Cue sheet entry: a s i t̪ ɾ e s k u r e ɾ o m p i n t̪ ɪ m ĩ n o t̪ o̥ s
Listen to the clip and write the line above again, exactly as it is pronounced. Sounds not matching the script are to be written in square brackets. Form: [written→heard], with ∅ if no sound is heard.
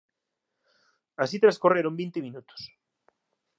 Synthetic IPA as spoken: a s i t̪ ɾ [e→a] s k [u→o] r e ɾ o m [p→b] i n t̪ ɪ m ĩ n [o→u] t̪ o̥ s